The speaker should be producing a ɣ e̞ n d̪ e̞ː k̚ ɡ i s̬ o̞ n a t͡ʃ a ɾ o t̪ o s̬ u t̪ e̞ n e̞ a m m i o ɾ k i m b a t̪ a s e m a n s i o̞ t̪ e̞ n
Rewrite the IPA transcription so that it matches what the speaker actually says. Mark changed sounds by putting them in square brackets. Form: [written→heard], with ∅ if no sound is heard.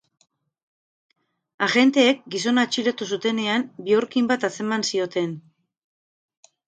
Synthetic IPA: a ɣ e̞ n [d̪→t̪] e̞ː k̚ ɡ i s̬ o̞ n a t͡ʃ [a→i] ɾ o t̪ [o→u] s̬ u t̪ e̞ n e̞ a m [m→b] i o ɾ k i m b a t̪ a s e m a n s i o̞ t̪ e̞ n

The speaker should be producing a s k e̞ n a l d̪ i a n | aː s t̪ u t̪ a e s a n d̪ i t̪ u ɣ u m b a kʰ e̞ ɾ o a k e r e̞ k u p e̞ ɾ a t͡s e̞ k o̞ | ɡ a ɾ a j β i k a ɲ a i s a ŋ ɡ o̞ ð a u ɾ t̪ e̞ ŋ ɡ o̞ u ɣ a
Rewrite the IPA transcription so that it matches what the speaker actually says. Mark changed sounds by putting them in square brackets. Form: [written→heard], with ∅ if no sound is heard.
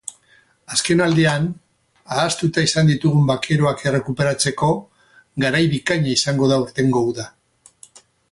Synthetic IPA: a s k e̞ n a l d̪ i a n | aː s t̪ u t̪ a [e→i] s a n d̪ i t̪ u ɣ u m b a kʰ e̞ ɾ o a k e r e̞ k u p e̞ ɾ a t͡s e̞ k o̞ | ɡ a ɾ a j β i k a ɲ a i s a ŋ ɡ o̞ ð a u ɾ t̪ e̞ ŋ ɡ o̞ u [ɣ→ð] a

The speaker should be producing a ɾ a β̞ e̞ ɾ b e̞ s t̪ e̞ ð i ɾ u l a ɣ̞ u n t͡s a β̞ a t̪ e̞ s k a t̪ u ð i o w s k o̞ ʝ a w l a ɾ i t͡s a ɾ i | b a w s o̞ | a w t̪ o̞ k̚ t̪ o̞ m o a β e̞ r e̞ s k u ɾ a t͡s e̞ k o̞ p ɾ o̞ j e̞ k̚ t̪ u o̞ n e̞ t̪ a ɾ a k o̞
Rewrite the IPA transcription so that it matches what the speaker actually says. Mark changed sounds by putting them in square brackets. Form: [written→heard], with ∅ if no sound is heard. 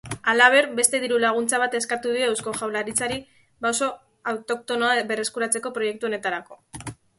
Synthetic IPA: a [ɾ→l] a β̞ e̞ ɾ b e̞ s t̪ e̞ ð i ɾ u l a ɣ̞ u n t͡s a β̞ a t̪ e̞ s k a t̪ u ð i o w s k o̞ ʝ a w l a ɾ i t͡s a ɾ i | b a w s o̞ | a w t̪ o̞ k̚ t̪ o̞ [m→n] o a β e̞ r e̞ s k u ɾ a t͡s e̞ k o̞ p ɾ o̞ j e̞ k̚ t̪ u o̞ n e̞ t̪ a ɾ a k o̞

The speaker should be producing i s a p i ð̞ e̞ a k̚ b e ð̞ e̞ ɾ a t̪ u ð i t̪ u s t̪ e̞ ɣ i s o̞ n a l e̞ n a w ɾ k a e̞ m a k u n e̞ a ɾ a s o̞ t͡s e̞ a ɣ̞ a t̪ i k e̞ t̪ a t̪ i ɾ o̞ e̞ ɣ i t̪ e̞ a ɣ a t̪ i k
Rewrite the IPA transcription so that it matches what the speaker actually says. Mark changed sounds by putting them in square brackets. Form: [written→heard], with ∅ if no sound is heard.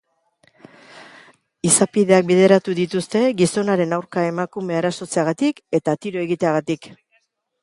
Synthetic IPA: i s a p i ð̞ e̞ a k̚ b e ð̞ e̞ ɾ a t̪ u ð i t̪ u s t̪ e̞ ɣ i s o̞ n a [l→ɾ] e̞ n a w ɾ k a e̞ m a k u [n→m] e̞ a ɾ a s o̞ t͡s e̞ a ɣ̞ a t̪ i k e̞ t̪ a t̪ i ɾ o̞ e̞ ɣ i t̪ e̞ a ɣ a t̪ i k

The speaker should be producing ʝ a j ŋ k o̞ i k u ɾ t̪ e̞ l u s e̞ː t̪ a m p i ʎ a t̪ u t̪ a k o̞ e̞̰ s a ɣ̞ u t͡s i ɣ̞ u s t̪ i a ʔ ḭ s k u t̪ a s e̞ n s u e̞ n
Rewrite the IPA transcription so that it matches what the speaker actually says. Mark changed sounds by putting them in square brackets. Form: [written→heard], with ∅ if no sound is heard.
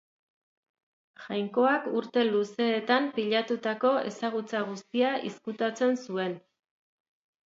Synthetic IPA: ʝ a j ŋ k o̞ [i→a] k u ɾ t̪ e̞ l u s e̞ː t̪ a m p i ʎ a t̪ u t̪ a k o̞ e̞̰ s a ɣ̞ u t͡s [i→a] ɣ̞ u s t̪ i a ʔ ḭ s k u t̪ a [s→t͡s] e̞ n s u e̞ n

